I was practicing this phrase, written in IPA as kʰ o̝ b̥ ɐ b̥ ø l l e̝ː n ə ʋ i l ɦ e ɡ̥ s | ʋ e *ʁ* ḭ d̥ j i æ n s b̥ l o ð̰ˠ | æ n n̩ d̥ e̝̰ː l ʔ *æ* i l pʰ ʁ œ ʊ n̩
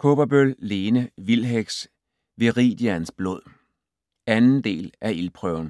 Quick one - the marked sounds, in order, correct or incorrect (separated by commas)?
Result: correct, correct